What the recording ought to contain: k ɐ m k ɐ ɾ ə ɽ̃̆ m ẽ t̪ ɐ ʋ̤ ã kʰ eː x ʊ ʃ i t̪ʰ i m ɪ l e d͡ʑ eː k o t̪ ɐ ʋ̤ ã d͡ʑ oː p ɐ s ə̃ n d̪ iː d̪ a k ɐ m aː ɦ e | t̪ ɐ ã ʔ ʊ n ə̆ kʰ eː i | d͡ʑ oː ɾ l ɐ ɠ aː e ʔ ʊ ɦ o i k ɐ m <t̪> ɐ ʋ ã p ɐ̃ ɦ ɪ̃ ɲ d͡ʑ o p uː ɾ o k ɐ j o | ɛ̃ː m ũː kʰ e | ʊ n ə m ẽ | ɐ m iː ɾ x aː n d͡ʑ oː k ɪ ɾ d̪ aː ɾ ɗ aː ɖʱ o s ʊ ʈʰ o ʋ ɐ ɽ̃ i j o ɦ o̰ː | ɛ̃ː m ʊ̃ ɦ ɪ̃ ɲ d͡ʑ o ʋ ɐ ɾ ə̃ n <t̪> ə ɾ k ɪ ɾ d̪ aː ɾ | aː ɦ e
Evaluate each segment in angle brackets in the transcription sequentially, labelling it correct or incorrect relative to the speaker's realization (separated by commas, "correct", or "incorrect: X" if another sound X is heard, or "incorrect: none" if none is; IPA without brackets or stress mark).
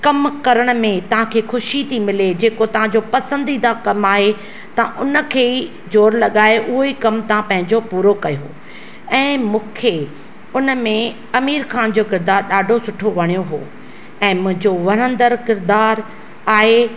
correct, incorrect: d̪